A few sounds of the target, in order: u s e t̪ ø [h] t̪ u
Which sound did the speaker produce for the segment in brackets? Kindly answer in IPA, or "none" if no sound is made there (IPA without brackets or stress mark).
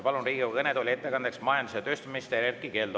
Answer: s